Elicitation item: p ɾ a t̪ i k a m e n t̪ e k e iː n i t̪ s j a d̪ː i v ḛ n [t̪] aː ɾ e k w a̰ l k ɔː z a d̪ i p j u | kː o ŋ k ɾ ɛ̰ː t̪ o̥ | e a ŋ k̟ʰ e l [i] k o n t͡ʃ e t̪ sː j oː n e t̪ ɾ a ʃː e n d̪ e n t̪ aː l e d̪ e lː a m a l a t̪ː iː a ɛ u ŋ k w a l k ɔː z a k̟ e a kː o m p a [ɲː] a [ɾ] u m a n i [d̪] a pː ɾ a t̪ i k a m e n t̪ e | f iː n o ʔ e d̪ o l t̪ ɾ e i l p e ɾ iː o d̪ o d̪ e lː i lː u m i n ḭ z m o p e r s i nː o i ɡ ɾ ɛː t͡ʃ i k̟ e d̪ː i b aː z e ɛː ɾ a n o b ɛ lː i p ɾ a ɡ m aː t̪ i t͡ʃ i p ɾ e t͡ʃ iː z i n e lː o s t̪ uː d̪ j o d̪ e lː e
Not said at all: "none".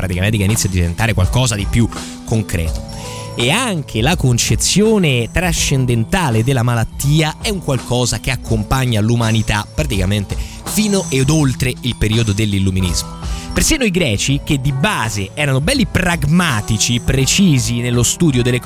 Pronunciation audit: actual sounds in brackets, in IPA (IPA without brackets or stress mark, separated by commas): t̪, a, ɲː, l, t̪